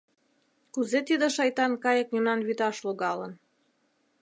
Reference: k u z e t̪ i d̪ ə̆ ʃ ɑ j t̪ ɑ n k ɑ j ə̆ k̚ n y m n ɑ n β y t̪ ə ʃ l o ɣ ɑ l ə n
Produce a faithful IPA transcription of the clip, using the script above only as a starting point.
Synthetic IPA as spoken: k u z e t̪ i d̪ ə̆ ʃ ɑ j t̪ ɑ n k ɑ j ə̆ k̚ n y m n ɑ n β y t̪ ɑ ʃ l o ɣ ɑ l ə n

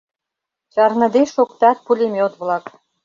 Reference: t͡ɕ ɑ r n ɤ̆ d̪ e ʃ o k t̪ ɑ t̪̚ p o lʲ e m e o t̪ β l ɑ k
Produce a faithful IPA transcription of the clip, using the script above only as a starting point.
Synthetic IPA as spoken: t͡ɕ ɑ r n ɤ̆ d̪ e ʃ o k t̪ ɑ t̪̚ p u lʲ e m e o t̪ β l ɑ k

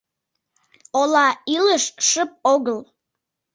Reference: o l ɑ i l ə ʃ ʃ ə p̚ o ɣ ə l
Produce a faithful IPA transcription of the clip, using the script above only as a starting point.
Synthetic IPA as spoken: o l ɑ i l ə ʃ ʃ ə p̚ o ɣ ə l

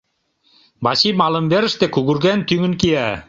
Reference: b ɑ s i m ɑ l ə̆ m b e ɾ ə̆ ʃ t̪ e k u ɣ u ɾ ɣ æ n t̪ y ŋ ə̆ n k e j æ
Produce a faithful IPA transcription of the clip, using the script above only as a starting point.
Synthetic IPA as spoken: b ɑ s i m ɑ l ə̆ m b e ɾ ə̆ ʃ t̪ e k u ɣ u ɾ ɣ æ n t̪ y ŋ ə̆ n k i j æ

